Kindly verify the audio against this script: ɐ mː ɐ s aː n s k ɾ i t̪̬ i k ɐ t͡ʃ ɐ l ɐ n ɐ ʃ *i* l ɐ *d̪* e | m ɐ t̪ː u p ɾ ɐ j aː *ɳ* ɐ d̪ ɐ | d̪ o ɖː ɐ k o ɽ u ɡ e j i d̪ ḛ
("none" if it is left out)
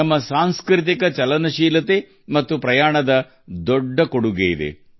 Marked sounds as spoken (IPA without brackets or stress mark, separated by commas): iː, t̪, ɳ